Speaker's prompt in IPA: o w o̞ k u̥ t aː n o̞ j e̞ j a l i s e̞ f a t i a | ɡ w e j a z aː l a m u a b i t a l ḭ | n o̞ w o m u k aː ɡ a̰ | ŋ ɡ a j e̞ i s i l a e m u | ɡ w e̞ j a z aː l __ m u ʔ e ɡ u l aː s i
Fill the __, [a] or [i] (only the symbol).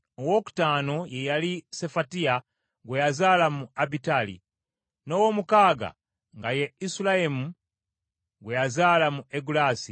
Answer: a